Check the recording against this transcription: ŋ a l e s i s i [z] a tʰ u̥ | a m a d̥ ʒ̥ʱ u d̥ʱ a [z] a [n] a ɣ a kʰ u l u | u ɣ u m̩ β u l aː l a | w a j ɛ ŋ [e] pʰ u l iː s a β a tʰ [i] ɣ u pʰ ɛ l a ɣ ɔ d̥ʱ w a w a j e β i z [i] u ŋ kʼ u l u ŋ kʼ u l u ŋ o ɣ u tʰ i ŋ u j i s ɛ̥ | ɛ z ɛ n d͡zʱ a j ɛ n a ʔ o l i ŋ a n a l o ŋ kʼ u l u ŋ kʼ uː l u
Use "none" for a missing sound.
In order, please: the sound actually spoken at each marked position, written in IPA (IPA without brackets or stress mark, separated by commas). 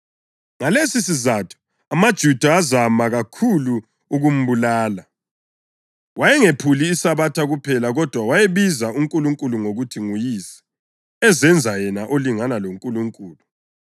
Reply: z, z, m, e, a, a